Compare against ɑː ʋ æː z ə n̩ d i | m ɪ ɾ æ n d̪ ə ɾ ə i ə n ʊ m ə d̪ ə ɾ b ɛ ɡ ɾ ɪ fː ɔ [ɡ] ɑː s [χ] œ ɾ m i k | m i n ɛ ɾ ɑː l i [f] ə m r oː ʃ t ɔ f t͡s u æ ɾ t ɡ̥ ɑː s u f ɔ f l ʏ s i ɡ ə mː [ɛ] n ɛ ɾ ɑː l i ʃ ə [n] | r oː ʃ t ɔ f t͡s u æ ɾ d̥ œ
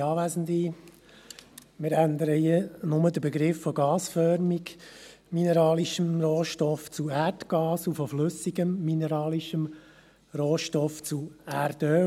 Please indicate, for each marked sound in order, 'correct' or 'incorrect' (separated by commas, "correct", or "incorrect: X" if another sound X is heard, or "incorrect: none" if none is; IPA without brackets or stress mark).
correct, incorrect: f, incorrect: ʃ, incorrect: i, incorrect: m